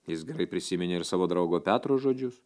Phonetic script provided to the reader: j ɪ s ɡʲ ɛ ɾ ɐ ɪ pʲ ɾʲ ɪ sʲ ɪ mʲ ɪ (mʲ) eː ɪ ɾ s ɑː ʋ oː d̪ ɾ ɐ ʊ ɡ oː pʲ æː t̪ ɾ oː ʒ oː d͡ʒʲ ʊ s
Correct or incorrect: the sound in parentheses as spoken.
incorrect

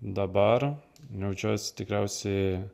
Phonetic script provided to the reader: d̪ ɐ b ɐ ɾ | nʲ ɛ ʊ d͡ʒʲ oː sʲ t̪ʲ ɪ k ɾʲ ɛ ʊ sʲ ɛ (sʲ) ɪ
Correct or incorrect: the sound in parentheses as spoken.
incorrect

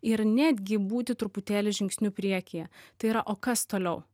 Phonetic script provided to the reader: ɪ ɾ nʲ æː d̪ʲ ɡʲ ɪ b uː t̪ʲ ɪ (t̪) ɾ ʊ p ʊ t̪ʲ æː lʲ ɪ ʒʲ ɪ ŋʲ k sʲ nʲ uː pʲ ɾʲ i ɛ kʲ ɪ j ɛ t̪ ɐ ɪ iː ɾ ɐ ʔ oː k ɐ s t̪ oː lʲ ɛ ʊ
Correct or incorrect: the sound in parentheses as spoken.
correct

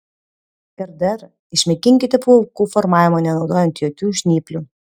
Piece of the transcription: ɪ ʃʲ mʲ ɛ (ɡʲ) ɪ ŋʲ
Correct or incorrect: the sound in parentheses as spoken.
incorrect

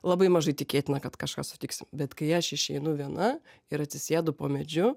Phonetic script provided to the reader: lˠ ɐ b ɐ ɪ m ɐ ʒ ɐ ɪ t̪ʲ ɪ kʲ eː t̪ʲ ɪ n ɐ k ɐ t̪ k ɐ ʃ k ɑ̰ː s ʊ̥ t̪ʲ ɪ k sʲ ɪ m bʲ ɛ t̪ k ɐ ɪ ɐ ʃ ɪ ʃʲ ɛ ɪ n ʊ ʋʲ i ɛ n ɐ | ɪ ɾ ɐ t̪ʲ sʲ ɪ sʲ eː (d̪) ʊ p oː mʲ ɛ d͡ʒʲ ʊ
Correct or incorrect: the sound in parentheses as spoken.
correct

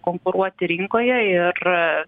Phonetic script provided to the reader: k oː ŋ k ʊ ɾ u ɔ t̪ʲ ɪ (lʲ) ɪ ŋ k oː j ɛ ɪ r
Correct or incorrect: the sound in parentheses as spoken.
incorrect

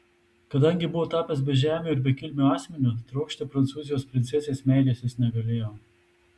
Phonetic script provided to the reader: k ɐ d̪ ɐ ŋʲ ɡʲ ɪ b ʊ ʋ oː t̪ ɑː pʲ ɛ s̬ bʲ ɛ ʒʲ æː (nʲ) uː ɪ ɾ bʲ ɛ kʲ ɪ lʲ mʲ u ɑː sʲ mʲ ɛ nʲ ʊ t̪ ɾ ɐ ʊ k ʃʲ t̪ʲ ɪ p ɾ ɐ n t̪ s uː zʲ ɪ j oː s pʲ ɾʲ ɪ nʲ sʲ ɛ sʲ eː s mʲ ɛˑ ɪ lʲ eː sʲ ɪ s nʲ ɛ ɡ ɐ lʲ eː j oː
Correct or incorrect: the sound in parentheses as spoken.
incorrect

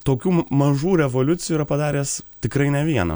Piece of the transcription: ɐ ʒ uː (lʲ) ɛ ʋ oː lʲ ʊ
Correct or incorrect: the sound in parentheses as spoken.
incorrect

